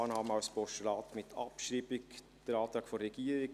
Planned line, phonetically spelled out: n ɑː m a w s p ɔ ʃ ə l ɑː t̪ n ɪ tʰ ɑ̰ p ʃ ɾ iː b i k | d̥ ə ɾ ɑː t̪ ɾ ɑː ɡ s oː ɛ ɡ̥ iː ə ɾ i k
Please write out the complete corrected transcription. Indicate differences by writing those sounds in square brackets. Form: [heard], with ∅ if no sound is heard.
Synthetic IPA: n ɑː m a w s p ɔ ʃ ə l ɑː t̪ [m] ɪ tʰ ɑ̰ p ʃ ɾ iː b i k | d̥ ə ɾ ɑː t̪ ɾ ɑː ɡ [f] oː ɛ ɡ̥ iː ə ɾ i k